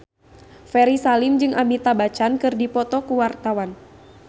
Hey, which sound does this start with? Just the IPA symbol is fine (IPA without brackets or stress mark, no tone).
f